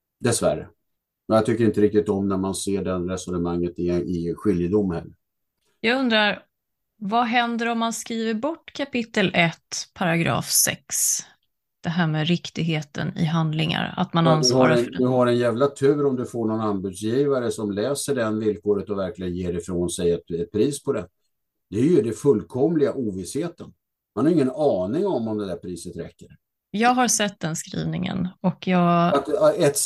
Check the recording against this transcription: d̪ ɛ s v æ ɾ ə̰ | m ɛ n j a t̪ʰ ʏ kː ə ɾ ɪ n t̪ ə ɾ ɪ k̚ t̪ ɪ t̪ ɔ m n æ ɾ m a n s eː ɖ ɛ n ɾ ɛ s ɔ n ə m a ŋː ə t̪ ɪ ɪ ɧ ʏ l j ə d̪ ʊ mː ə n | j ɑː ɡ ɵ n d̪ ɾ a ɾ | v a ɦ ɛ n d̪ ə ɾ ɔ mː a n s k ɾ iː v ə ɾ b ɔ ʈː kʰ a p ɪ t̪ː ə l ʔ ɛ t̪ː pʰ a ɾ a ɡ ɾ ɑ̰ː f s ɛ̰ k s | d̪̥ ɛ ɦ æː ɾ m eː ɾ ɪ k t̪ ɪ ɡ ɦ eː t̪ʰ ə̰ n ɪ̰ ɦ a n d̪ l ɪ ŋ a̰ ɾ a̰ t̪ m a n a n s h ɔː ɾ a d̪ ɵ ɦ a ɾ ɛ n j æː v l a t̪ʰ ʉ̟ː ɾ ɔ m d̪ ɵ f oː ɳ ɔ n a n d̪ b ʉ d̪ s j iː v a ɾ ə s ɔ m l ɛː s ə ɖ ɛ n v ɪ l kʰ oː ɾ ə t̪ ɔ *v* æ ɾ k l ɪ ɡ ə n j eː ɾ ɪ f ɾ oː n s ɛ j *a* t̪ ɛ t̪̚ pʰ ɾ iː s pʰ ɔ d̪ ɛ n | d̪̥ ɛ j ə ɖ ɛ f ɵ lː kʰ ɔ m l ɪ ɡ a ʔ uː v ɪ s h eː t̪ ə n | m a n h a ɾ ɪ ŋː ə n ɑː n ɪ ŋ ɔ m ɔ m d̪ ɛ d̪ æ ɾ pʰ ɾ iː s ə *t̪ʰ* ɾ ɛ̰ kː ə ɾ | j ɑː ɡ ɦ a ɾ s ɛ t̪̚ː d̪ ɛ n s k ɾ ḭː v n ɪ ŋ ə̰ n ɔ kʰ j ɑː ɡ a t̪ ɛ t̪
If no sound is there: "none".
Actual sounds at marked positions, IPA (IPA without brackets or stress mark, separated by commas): v, ɛ, t̪